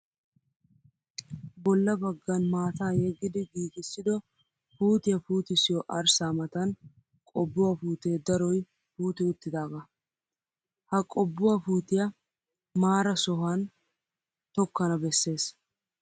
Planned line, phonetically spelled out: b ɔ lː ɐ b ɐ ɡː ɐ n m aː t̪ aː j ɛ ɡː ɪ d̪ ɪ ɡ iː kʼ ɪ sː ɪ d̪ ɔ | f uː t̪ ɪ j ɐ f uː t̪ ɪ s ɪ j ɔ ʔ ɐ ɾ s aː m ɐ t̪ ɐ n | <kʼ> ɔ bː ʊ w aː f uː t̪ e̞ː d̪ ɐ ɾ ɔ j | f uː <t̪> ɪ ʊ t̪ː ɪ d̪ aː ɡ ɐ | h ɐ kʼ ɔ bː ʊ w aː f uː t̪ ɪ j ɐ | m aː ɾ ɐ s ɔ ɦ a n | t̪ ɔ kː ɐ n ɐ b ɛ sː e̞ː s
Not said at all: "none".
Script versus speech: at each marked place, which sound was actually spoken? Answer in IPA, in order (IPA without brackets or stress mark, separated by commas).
kʼ, t̪